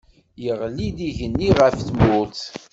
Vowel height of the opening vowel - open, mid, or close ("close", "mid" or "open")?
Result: mid